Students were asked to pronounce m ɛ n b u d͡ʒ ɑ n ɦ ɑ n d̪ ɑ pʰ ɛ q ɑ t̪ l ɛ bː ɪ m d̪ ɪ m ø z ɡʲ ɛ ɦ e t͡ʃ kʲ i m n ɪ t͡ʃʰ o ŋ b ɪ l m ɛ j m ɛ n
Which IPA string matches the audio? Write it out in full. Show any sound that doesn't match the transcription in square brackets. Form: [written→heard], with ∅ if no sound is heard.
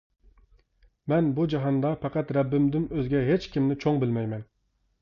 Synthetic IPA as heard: m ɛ n b u d͡ʒ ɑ [n→∅] ɦ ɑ n d̪ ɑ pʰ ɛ q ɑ t̪ [l→ɾ] ɛ bː ɪ m d̪ ɪ m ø z ɡʲ ɛ ɦ e t͡ʃ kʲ i m n ɪ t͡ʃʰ o ŋ b ɪ l m ɛ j m ɛ n